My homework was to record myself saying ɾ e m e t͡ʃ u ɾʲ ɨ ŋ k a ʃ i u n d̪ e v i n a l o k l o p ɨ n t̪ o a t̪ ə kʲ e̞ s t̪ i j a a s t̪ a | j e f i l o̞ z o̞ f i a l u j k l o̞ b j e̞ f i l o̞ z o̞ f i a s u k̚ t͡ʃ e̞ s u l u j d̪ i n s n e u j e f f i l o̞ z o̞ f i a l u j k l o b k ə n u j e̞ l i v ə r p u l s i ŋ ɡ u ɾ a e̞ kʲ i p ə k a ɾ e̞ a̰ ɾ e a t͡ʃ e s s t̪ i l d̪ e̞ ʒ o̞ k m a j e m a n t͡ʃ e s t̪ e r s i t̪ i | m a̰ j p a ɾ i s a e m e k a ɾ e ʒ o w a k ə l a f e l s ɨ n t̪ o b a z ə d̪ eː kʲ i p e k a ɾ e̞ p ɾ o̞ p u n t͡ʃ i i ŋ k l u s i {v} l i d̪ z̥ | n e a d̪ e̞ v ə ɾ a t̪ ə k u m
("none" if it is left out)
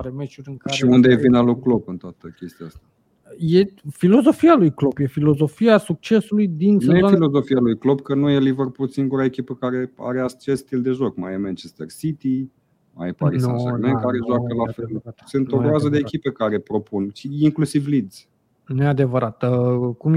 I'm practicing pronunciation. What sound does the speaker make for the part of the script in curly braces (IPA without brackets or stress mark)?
v